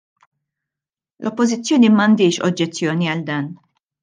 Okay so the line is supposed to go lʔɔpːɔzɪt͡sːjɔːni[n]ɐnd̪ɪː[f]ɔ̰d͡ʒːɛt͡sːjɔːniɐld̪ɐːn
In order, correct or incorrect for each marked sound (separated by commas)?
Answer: incorrect, incorrect